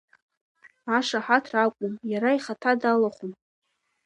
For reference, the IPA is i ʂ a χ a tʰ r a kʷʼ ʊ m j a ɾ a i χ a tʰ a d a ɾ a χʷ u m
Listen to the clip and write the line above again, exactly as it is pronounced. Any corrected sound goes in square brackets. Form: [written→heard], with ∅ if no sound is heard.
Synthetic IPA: [i→a] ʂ a [χ→ħ] a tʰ r a kʷʼ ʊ m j a ɾ a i χ a tʰ a d a [ɾ→l] a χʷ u m